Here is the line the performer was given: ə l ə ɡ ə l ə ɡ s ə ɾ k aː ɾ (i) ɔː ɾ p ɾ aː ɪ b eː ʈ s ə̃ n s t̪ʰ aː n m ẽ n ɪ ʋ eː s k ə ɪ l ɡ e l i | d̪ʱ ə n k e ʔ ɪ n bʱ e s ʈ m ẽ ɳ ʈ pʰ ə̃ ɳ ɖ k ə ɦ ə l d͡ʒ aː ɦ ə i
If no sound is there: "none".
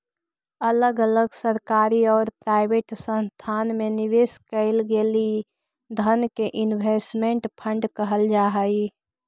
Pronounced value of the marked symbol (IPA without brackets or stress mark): i